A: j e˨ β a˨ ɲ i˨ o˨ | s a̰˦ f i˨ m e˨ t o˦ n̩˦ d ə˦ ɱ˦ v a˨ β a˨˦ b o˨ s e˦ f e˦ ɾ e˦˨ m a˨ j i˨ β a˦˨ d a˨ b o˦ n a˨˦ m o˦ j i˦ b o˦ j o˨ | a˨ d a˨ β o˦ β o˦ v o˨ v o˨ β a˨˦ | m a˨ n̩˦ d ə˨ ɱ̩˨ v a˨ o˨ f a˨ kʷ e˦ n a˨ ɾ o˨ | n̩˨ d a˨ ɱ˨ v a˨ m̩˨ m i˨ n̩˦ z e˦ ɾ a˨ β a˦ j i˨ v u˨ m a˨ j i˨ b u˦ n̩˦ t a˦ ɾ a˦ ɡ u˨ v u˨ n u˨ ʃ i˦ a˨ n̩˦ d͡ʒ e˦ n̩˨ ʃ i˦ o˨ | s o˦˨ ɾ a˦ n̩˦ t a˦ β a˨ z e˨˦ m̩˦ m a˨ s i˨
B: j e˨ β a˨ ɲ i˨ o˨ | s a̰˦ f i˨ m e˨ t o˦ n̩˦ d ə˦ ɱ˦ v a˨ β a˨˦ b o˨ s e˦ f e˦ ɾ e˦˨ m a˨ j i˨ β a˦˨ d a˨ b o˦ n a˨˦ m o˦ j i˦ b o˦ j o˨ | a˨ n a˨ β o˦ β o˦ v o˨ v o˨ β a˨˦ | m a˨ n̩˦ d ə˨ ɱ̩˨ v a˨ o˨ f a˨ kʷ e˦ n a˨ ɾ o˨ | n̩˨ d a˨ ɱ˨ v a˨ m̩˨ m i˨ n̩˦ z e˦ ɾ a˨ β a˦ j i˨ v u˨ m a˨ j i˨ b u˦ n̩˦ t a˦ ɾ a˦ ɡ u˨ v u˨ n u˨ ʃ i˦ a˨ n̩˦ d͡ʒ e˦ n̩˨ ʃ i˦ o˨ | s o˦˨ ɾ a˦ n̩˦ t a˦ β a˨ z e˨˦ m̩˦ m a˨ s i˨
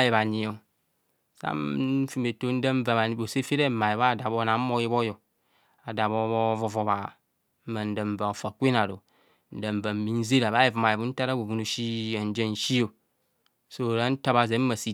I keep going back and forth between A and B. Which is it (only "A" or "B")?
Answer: A